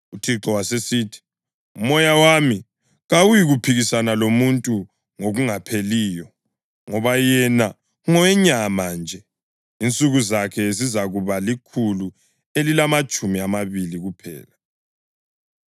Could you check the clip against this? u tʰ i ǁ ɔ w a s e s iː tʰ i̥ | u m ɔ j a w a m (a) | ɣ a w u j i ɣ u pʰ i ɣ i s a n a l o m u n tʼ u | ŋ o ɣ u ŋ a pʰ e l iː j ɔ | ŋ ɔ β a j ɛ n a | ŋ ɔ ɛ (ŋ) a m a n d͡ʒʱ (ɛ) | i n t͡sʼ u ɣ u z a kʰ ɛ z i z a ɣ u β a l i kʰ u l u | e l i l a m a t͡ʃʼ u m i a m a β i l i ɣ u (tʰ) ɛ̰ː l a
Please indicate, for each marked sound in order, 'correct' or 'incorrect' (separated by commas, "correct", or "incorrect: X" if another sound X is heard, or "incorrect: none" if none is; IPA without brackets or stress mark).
incorrect: i, incorrect: ɲ, correct, incorrect: pʰ